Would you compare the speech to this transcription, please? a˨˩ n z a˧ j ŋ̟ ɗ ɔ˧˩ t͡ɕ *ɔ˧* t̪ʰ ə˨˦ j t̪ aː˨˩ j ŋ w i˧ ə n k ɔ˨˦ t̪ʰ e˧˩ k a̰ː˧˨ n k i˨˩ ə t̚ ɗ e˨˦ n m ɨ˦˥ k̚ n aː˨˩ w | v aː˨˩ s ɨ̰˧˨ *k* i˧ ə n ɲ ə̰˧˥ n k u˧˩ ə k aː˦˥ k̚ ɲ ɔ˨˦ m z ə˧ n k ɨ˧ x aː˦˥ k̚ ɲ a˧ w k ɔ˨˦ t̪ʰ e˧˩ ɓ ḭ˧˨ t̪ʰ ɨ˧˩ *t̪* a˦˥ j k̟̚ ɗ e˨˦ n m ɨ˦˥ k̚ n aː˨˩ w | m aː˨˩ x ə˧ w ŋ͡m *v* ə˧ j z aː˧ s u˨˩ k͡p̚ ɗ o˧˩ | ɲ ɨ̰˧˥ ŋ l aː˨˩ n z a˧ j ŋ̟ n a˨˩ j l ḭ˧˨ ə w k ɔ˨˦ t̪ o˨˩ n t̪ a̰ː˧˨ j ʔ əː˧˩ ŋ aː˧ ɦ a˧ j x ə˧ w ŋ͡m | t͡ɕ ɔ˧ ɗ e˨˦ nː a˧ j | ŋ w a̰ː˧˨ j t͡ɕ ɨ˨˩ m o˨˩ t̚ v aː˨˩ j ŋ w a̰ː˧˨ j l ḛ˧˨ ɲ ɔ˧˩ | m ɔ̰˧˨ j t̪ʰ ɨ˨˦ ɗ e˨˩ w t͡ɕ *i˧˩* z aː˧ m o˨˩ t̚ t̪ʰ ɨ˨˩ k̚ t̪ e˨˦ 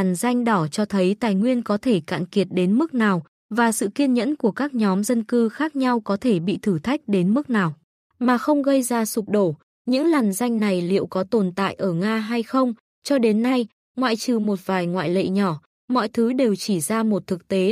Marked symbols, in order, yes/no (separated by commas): yes, yes, no, no, yes